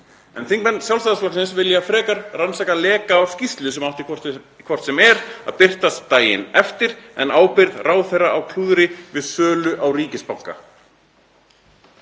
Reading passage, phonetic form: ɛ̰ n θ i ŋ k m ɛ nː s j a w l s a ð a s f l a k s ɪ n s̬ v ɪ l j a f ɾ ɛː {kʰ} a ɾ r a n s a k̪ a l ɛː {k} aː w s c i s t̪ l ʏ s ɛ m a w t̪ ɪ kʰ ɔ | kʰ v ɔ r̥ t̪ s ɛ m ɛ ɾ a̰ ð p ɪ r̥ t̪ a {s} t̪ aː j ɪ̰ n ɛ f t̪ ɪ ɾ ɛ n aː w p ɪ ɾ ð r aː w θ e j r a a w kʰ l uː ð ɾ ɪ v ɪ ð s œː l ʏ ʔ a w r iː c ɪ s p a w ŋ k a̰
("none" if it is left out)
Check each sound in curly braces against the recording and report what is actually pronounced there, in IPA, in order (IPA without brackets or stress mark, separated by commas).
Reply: k, k, s